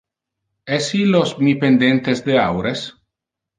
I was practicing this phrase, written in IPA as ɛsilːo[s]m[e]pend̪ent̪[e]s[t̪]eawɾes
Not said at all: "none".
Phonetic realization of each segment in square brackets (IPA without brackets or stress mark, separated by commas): s, i, e, d̪